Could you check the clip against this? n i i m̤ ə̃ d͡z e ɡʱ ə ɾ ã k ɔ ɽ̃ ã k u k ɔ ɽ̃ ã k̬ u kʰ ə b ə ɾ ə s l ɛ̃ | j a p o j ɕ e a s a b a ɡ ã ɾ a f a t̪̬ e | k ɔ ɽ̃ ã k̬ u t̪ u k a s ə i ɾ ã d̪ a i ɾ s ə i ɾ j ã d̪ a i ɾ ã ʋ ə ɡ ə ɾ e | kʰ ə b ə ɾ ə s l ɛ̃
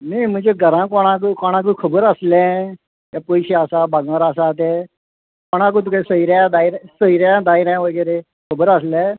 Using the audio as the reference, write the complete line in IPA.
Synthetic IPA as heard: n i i m̤ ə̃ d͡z e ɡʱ ə ɾ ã k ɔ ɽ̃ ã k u k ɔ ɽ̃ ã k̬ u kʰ ə b ə ɾ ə s l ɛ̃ | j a p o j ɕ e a s a b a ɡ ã ɾ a s a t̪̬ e | k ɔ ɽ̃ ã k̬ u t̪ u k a s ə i ɾ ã d̪ a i ɾ s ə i ɾ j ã d̪ a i ɾ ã ʋ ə ɡ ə ɾ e | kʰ ə b ə ɾ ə s l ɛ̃